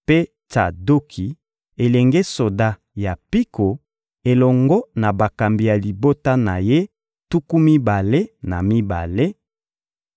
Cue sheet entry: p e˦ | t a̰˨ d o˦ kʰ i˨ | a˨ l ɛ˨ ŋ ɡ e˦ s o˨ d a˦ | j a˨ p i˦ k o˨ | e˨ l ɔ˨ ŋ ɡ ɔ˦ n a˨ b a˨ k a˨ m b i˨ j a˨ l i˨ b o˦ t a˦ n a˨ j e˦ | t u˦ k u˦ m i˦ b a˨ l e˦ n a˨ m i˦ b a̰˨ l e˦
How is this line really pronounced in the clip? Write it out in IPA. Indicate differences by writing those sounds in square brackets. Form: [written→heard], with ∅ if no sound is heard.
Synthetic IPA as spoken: p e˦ | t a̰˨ d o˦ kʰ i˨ | [a˨→e˨] l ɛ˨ ŋ ɡ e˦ s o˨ d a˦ | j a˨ p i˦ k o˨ | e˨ l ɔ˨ ŋ ɡ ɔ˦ n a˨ b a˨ k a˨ m b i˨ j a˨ l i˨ b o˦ t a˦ n a˨ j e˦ | t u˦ k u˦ m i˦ b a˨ l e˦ n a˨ m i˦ b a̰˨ l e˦